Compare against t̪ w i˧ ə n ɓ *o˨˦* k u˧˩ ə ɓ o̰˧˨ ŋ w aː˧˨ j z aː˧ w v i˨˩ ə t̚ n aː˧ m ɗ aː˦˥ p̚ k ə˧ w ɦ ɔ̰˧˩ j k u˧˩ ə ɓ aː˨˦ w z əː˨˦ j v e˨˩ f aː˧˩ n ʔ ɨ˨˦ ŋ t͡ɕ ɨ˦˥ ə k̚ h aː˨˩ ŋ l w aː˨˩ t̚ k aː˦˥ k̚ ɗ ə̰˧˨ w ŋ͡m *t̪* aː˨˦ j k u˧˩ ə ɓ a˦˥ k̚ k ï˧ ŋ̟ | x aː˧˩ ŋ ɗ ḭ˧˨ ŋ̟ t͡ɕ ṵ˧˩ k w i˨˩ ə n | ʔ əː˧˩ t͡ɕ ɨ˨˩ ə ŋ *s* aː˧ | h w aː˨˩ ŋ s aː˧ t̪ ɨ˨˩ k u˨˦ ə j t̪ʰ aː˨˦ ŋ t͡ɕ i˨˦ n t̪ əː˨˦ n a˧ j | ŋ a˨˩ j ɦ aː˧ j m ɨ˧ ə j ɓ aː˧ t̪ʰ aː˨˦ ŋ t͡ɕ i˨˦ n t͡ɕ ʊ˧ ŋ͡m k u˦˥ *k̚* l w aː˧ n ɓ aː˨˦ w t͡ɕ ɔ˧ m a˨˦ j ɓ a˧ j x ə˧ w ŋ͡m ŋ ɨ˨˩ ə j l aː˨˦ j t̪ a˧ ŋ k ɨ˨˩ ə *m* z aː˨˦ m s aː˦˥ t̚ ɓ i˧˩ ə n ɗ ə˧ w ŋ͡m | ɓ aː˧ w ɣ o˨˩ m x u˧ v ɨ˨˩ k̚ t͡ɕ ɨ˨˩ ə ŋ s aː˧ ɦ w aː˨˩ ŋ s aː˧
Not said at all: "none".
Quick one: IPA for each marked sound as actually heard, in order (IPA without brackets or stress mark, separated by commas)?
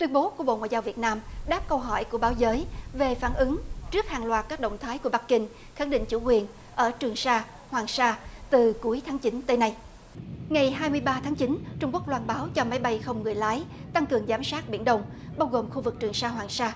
o˨˦, t̪ʰ, s, k̚, ŋ